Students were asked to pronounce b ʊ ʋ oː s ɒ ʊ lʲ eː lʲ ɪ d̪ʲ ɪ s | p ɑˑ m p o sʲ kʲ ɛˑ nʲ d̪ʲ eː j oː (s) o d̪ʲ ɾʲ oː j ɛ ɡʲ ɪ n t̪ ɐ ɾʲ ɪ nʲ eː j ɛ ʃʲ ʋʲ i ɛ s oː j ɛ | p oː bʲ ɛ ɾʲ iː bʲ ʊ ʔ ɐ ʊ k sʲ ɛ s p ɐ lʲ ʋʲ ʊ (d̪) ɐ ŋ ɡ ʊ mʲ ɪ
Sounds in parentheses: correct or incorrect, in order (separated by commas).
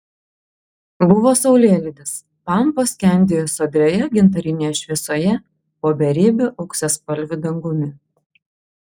correct, correct